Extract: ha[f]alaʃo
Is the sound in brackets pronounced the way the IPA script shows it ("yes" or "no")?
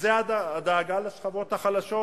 no